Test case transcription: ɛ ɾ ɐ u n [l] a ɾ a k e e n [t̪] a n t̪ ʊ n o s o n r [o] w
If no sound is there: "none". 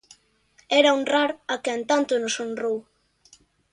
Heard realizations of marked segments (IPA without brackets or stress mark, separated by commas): r, t̪, o